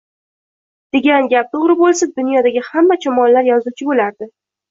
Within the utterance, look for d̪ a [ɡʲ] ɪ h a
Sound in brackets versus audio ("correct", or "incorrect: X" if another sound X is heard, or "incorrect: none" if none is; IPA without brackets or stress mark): correct